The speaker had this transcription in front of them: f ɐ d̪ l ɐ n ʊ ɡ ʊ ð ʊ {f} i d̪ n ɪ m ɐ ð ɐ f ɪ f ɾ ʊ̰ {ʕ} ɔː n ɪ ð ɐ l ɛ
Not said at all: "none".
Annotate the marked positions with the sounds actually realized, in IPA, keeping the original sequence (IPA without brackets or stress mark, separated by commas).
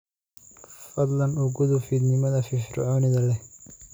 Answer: f, ʕ